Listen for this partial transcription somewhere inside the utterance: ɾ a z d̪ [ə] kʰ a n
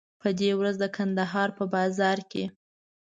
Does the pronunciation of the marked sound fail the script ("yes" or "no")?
no